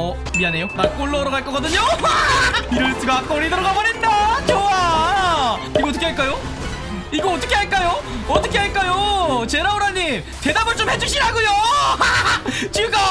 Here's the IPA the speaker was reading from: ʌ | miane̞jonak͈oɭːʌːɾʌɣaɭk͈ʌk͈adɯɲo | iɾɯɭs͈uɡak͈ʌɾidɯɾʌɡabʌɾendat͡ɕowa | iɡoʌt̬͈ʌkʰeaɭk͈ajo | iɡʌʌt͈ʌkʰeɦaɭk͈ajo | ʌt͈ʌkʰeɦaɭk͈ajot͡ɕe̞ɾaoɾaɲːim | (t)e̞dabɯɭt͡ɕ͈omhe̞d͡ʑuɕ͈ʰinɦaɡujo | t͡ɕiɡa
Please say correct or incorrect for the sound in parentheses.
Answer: correct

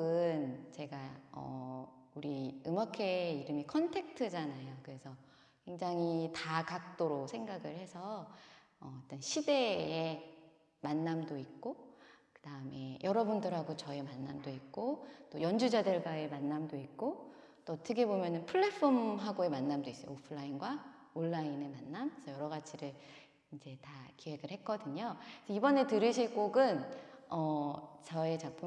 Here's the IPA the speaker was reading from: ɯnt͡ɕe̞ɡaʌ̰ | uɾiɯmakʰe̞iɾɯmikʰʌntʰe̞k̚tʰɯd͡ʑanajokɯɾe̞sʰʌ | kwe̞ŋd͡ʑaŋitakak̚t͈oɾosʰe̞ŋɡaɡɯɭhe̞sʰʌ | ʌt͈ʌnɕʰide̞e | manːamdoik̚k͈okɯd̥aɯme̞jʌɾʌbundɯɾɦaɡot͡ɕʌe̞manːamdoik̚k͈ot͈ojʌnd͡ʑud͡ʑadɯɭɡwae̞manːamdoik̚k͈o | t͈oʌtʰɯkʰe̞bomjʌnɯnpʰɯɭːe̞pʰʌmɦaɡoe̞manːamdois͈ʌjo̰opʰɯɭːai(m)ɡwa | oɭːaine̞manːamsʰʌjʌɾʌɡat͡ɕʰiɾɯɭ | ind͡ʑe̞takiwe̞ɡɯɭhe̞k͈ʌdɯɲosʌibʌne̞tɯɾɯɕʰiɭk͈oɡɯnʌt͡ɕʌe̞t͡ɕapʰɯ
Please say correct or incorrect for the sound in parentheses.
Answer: incorrect: n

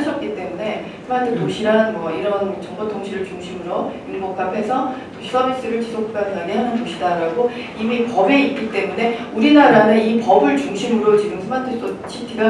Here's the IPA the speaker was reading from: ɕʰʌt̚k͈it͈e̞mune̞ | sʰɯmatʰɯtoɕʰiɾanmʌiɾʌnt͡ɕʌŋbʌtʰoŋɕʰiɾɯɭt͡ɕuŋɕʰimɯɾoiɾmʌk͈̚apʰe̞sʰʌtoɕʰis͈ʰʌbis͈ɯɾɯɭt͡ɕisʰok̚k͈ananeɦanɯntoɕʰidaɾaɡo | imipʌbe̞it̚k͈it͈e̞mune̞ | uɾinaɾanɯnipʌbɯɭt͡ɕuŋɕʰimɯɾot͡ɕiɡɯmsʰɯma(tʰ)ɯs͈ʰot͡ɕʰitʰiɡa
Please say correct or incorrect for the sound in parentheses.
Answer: correct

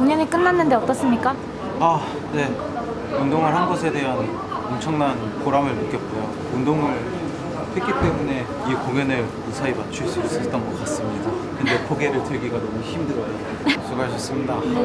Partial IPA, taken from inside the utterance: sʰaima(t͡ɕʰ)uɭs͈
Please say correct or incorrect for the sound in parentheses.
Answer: correct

